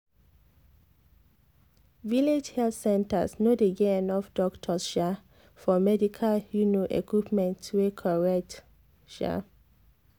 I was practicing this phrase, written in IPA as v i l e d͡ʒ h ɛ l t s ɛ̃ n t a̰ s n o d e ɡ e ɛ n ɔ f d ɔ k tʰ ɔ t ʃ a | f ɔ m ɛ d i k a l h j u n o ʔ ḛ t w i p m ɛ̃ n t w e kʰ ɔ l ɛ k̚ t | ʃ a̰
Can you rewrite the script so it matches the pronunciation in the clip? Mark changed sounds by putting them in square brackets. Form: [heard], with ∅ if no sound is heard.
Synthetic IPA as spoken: v i l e d͡ʒ h ɛ l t s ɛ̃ n t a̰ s n o d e ɡ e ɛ n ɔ f d ɔ k tʰ ɔ [s] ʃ a | f ɔ m ɛ d i [kʰ] a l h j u n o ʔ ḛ [k] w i p m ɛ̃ n t w e kʰ ɔ [ɹ] ɛ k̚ t | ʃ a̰